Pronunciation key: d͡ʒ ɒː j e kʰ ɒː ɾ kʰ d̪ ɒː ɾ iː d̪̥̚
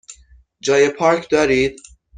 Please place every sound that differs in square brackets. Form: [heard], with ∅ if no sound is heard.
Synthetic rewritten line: d͡ʒ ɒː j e [pʰ] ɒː ɾ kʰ d̪ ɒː ɾ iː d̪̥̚